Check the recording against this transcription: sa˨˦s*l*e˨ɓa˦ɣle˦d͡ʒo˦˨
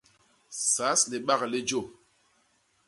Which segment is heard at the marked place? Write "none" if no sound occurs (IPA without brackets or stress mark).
l